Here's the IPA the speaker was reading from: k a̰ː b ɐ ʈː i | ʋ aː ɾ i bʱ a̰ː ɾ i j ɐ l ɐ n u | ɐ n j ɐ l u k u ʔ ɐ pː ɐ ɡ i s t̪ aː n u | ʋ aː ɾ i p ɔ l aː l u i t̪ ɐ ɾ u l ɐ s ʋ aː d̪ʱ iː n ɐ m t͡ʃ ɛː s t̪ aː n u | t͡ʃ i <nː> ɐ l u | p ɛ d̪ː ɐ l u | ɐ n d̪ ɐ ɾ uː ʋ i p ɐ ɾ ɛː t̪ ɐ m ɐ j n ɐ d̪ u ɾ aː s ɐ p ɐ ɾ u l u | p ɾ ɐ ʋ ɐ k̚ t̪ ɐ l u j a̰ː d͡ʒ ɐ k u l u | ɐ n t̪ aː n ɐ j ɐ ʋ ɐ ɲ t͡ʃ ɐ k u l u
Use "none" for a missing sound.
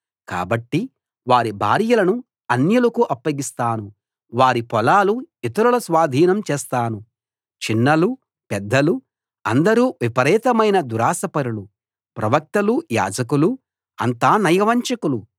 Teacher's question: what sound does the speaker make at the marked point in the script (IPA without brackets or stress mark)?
nː